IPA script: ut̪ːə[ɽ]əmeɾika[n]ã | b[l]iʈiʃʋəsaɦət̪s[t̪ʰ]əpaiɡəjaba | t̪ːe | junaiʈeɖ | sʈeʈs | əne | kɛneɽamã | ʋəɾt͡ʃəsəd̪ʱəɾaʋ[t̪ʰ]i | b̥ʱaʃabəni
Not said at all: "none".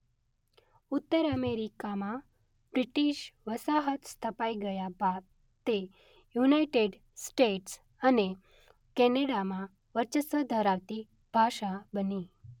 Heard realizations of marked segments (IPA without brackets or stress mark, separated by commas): ɾ, m, ɾ, t̪ʰ, t̪